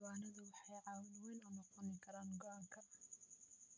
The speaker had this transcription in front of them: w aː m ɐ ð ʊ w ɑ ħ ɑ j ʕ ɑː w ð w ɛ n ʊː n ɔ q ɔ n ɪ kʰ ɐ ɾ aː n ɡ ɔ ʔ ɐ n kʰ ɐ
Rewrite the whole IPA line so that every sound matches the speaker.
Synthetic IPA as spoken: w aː n ɐ ð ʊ w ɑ ħ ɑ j ʕ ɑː w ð w ɛ n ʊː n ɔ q ɔ n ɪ kʰ ɐ ɾ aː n ɡ ɔ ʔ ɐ ŋ kʰ ɐ